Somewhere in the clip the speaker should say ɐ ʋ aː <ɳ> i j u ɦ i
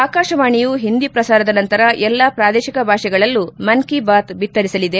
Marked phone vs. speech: correct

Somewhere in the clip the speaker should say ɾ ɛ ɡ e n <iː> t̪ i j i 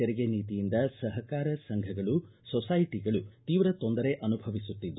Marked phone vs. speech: correct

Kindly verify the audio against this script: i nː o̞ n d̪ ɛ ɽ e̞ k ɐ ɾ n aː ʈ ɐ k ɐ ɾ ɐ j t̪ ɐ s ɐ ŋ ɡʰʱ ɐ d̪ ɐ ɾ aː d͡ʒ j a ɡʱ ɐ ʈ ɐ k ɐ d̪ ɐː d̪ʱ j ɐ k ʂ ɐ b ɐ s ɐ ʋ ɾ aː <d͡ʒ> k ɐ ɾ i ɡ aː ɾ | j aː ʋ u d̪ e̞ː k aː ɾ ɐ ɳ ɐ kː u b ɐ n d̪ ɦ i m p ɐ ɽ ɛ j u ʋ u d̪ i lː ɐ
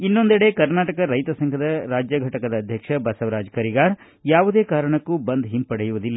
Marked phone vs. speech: correct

